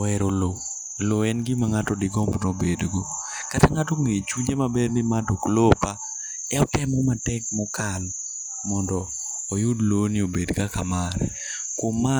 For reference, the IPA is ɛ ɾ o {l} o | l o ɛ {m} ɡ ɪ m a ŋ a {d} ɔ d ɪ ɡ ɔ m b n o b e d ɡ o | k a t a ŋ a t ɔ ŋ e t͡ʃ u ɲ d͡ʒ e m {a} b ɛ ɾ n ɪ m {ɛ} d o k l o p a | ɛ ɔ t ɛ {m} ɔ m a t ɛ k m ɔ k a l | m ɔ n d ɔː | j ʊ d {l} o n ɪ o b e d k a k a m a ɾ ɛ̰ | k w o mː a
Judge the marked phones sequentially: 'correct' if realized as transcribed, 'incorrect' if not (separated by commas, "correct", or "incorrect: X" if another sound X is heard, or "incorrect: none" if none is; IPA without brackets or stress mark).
correct, incorrect: n, incorrect: t, correct, incorrect: a, correct, correct